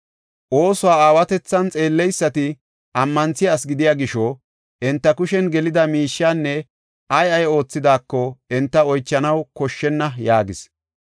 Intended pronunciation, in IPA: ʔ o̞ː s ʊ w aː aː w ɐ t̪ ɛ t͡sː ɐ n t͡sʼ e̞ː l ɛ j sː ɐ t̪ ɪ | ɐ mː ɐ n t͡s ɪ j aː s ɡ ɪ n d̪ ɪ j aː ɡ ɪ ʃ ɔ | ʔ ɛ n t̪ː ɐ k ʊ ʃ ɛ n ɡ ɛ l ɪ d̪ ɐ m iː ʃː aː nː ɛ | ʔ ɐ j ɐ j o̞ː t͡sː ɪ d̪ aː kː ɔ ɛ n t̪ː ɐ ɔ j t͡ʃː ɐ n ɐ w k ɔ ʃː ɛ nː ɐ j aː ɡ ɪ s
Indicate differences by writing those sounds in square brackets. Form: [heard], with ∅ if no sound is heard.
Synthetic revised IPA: ʔ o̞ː s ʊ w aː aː w ɐ t̪ ɛ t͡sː ɐ n t͡sʼ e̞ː [lː] ɛ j sː ɐ t̪ ɪ | ɐ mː ɐ n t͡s ɪ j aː s ɡ ɪ [∅] d̪ ɪ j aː ɡ ɪ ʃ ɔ | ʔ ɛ n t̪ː ɐ k ʊ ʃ ɛ n ɡ ɛ l ɪ d̪ ɐ m iː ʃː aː nː ɛ | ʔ ɐ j ɐ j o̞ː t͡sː ɪ d̪ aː kː ɔ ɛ n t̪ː ɐ ɔ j t͡ʃː ɐ n ɐ w k ɔ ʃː ɛ nː ɐ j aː ɡ ɪ s